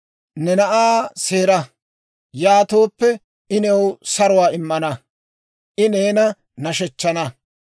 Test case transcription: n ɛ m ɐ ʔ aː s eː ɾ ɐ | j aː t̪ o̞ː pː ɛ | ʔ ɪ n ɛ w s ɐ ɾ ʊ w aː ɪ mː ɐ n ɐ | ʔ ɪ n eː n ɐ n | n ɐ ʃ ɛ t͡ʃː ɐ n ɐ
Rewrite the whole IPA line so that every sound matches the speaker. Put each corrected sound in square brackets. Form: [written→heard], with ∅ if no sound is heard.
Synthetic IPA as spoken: n ɛ [m→n] ɐ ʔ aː s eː ɾ ɐ | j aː t̪ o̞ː pː ɛ | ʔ ɪ n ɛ w s ɐ ɾ ʊ w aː ɪ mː ɐ n ɐ | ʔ ɪ n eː n ɐ [n→∅] | n ɐ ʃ ɛ t͡ʃː ɐ n ɐ